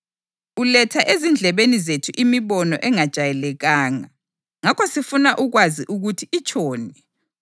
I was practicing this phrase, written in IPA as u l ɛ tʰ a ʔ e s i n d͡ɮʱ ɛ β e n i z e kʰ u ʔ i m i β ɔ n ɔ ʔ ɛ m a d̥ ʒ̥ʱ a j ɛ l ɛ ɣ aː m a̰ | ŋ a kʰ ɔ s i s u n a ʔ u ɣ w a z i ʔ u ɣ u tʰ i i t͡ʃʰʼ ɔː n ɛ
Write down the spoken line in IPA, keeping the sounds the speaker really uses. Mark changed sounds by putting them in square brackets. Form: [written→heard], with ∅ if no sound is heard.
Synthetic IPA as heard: u l ɛ tʰ a ʔ e [s→z] i n d͡ɮʱ ɛ β e n i z e [kʰ→tʰ] u ʔ i m i β ɔ n ɔ ʔ ɛ [m→ŋ] a d̥ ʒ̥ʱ a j ɛ l ɛ ɣ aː [m→ŋ] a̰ | ŋ a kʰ ɔ s i [s→f] u n a ʔ u ɣ w a z i ʔ u ɣ u tʰ i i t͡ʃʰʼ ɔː n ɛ